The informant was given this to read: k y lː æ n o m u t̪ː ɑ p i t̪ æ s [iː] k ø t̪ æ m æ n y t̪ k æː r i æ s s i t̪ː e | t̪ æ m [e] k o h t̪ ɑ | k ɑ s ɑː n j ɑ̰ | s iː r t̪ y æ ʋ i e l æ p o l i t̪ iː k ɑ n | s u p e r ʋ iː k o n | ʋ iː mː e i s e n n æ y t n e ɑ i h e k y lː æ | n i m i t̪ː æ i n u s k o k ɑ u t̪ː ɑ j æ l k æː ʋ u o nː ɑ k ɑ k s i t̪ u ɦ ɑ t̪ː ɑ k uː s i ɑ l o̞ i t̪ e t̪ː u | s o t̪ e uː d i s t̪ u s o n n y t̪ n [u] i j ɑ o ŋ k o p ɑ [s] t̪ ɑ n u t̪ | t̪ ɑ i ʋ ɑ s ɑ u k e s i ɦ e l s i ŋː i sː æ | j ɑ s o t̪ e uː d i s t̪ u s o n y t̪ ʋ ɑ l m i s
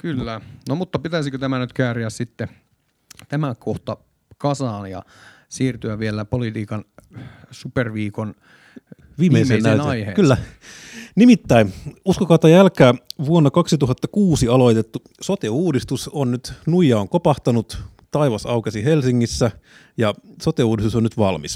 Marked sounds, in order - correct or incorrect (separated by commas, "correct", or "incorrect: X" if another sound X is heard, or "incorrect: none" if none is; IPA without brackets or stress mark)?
incorrect: i, incorrect: æ, correct, incorrect: h